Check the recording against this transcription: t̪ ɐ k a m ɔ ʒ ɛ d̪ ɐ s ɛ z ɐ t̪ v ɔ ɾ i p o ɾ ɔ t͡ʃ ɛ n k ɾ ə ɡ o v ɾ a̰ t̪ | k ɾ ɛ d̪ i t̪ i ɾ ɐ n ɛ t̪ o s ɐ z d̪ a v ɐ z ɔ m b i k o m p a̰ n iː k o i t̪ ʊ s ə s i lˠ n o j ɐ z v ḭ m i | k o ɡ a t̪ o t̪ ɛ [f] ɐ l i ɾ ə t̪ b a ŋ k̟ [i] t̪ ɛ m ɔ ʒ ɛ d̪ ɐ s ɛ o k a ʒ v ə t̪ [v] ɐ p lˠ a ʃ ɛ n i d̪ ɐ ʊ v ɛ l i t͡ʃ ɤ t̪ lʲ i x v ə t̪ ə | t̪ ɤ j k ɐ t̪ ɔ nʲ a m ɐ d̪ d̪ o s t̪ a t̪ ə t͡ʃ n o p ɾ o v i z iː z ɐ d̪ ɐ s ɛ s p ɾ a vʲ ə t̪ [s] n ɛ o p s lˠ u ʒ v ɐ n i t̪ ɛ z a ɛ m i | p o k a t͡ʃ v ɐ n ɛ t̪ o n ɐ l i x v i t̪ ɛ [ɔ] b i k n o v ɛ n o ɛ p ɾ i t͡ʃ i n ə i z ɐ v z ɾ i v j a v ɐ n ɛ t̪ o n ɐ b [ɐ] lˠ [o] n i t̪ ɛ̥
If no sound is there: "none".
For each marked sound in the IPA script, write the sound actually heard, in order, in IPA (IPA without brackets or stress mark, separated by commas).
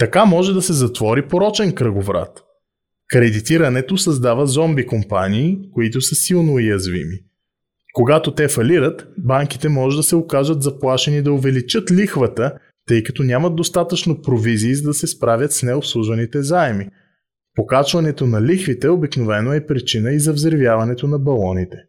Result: f, i, z, s, o, ɐ, ɔ